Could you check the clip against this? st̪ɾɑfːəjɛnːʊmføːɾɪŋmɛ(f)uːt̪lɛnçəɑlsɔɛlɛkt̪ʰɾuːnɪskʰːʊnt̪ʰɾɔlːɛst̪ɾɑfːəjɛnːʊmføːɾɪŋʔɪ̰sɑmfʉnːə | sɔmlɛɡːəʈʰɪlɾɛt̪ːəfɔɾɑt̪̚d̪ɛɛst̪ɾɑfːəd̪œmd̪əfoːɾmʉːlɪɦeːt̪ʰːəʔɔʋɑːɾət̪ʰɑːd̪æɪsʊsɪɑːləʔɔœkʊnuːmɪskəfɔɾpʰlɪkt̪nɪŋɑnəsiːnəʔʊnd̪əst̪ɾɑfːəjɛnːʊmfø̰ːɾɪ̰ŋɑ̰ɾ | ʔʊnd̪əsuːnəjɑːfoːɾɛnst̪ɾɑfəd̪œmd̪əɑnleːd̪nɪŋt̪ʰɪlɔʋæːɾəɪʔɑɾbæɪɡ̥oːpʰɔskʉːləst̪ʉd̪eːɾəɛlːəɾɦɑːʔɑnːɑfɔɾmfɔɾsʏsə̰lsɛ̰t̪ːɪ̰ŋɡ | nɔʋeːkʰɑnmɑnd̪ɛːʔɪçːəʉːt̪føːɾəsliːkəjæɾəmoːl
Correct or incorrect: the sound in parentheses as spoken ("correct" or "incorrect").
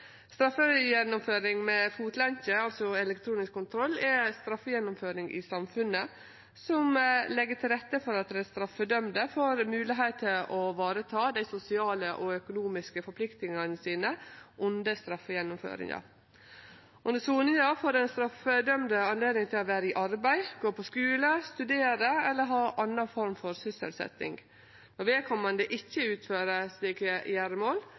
correct